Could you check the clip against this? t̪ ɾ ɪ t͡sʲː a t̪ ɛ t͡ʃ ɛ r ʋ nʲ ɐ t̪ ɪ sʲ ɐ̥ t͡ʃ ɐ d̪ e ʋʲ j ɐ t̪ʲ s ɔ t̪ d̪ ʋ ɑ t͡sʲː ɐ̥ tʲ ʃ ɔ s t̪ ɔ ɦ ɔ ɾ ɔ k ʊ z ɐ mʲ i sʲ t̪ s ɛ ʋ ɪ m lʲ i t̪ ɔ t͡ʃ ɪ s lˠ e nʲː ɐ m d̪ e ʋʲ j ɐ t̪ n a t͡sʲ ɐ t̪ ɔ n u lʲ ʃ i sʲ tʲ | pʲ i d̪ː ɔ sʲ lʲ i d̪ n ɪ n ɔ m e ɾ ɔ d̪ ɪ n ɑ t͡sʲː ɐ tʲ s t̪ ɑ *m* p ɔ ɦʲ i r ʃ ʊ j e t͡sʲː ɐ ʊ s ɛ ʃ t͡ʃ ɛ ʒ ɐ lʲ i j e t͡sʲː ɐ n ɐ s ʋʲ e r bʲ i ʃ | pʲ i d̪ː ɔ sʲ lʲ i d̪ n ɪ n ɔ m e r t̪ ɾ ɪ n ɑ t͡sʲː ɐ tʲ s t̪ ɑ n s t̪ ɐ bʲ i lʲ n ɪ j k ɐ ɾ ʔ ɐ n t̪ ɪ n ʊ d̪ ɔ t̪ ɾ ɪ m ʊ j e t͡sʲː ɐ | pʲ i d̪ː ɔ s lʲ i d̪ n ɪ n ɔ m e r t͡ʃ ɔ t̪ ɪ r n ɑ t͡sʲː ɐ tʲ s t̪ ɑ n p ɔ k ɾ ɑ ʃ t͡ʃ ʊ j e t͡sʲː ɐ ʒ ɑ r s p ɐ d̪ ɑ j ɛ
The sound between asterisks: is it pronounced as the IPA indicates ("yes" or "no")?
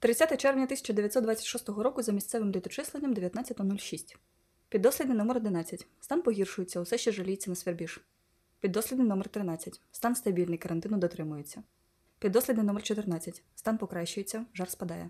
no